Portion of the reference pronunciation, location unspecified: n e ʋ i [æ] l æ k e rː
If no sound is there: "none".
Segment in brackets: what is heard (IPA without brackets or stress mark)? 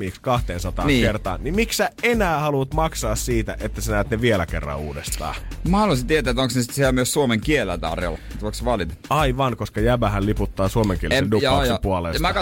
e